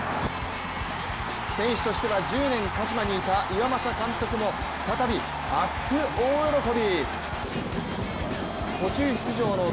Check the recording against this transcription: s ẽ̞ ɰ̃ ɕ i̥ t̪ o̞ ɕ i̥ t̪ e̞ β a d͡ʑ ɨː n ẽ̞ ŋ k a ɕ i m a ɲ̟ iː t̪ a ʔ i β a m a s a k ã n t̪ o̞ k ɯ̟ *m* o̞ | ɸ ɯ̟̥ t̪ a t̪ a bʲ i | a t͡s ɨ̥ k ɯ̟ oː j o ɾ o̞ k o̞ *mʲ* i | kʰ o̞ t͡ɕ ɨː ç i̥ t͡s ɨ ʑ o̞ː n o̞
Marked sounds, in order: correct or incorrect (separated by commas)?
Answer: correct, incorrect